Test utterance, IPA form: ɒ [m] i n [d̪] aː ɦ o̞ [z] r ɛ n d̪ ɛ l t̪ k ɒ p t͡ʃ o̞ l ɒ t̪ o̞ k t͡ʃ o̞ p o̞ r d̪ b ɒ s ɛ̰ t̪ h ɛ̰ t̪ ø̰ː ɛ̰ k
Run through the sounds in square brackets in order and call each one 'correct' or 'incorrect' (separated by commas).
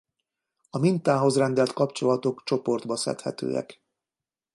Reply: correct, incorrect, correct